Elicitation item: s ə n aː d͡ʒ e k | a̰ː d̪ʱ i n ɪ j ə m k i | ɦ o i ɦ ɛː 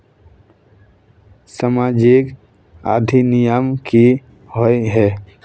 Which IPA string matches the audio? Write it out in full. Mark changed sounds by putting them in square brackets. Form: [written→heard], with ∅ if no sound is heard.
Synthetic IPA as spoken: s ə [n→m] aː d͡ʒ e k | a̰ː d̪ʱ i n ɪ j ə m k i | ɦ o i ɦ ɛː